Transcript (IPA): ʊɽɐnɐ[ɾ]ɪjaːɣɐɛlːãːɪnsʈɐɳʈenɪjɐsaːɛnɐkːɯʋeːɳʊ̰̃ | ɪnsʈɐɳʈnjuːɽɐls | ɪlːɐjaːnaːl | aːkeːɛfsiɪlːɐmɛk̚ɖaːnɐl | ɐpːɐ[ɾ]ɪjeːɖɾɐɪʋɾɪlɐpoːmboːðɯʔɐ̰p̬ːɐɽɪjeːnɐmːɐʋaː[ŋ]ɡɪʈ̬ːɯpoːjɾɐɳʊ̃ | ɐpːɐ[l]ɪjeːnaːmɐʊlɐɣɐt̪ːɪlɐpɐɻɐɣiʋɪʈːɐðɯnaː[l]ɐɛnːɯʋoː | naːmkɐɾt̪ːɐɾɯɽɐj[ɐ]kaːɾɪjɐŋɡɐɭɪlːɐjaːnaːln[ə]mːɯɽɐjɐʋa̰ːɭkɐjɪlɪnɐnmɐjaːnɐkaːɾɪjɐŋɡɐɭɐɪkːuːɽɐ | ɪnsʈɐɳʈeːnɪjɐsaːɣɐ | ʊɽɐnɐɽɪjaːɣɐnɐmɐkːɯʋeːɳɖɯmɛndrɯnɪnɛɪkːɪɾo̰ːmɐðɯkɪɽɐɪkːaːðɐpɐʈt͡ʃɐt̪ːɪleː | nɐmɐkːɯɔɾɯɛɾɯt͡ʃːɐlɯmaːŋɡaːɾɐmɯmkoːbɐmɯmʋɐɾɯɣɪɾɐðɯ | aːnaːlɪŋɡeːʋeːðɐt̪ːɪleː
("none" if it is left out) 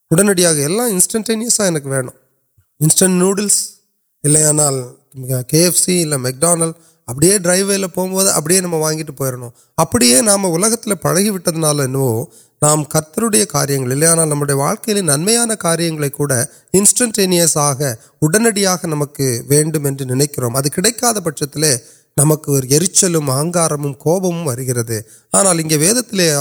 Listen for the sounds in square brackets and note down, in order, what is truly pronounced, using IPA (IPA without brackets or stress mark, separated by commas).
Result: ɽ, ɽ, ŋ, ɽ, l, ɐ, ɐ